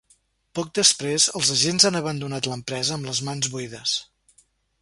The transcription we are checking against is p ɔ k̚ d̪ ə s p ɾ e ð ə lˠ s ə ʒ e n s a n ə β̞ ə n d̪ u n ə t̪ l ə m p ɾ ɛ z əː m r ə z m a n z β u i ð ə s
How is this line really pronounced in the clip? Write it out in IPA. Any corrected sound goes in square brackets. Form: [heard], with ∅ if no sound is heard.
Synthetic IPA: p ɔ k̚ d̪ ə s p ɾ e [z] ə lˠ [z] ə ʒ e n [z] a n ə β̞ ə n d̪ u n [a] t̪ l ə m p ɾ ɛ z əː m [l] ə z m a n z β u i ð ə s